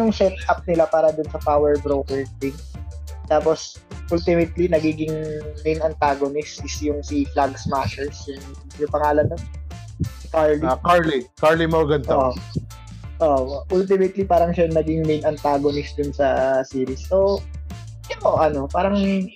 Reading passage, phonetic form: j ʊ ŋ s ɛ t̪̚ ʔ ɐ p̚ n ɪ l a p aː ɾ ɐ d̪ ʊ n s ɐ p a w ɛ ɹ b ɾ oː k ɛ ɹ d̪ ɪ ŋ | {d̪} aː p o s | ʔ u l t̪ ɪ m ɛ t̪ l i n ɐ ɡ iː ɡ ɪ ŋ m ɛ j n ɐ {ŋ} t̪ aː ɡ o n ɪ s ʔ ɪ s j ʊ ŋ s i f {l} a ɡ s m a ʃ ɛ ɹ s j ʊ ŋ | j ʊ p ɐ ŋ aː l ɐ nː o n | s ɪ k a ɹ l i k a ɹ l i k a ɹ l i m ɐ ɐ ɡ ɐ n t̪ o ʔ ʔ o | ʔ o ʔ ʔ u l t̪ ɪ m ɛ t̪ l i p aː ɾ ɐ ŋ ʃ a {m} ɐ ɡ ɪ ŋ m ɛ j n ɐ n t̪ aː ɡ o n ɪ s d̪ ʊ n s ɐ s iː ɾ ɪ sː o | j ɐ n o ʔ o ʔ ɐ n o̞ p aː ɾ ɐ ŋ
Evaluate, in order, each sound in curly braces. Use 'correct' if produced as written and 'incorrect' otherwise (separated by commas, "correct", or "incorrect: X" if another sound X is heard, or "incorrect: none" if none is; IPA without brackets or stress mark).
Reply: incorrect: t̪, incorrect: n, correct, incorrect: n